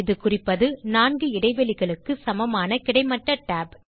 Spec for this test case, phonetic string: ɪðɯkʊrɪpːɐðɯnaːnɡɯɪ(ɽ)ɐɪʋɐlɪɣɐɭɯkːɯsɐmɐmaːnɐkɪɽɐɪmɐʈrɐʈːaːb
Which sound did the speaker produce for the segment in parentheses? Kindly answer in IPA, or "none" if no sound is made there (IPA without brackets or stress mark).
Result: ɽ